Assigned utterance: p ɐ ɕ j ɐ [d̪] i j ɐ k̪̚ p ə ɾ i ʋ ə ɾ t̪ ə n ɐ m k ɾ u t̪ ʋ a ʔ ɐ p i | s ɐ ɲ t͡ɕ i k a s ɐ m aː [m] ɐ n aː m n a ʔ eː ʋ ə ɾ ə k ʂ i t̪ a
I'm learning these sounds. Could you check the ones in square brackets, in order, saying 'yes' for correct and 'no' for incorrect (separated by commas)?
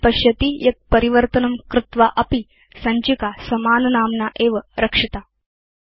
no, no